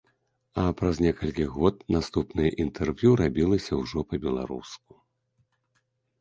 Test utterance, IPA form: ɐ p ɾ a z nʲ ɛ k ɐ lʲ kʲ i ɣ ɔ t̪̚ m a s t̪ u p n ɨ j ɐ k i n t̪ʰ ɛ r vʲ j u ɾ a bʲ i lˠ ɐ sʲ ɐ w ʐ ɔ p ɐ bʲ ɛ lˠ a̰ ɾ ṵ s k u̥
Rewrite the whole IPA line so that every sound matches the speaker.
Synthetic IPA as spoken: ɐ p ɾ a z nʲ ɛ k ɐ lʲ kʲ i ɣ ɔ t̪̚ n a s t̪ u p n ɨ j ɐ ʔ i n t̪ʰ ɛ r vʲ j u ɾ a bʲ i lˠ ɐ sʲ ɐ w ʐ ɔ p ɐ bʲ ɛ lˠ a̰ ɾ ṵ s k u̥